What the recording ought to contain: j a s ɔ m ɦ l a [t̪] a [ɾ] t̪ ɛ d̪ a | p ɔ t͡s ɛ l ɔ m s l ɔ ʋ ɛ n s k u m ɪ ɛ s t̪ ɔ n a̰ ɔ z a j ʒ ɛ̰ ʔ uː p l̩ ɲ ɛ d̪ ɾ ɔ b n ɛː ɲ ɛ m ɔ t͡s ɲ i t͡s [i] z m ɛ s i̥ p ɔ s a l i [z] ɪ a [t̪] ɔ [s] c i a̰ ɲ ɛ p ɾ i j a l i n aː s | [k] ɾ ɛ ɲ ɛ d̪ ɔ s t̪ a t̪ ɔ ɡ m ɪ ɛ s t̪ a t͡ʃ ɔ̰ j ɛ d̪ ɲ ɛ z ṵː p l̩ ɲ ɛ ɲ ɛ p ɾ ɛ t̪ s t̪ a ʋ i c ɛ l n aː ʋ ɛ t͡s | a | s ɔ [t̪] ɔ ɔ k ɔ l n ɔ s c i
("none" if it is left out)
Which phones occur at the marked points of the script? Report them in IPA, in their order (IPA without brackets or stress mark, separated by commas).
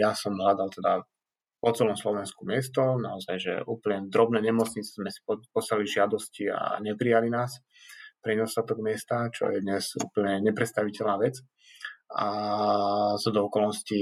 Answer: d̪, l, ɛ, ʒ, d̪, s, p, d̪